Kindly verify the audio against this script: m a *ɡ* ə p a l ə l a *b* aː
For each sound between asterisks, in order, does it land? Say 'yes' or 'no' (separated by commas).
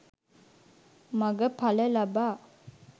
yes, yes